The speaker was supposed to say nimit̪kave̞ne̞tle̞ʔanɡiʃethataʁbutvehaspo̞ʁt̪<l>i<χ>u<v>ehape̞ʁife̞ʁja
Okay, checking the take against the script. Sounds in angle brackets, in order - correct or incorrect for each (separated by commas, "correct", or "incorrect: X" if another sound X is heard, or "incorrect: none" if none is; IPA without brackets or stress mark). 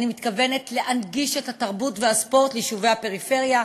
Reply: correct, incorrect: ʃ, correct